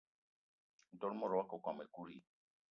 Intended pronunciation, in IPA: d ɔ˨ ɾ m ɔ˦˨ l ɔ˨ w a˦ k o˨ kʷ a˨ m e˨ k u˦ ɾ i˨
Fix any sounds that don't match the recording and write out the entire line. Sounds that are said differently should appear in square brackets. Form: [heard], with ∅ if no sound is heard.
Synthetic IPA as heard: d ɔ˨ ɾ m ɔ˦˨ [ɾ] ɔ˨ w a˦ k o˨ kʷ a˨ m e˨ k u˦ ɾ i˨